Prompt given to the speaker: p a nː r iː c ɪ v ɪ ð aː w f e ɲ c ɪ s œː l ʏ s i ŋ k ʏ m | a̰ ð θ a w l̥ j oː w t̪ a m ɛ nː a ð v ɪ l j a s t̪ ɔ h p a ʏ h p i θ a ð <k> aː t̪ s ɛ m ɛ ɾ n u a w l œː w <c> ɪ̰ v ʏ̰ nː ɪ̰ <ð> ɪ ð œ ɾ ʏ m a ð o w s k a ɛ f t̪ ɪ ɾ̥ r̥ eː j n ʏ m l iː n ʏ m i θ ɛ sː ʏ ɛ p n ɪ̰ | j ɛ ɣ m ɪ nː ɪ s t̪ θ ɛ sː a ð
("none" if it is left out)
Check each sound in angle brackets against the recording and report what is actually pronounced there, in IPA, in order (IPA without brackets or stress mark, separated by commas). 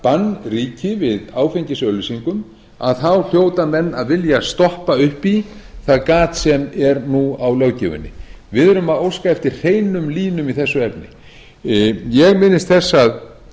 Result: k, c, v